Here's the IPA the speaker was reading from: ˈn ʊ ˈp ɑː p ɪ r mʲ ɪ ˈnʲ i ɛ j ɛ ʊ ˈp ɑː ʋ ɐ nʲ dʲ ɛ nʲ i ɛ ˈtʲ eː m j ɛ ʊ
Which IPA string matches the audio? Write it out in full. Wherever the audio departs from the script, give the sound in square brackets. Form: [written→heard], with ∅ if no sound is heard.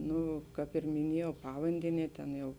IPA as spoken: ˈn ʊ [ˈp→ˈk] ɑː p ɪ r mʲ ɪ ˈnʲ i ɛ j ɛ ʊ ˈp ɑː ʋ ɐ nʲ dʲ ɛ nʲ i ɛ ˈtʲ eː [m→n] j ɛ ʊ